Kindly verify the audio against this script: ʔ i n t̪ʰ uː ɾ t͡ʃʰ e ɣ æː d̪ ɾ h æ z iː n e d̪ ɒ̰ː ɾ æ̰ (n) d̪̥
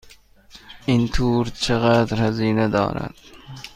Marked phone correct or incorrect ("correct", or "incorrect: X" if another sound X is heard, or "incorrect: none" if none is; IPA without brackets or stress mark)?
incorrect: none